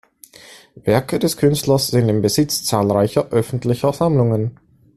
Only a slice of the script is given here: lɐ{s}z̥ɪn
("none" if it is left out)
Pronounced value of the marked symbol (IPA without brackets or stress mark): s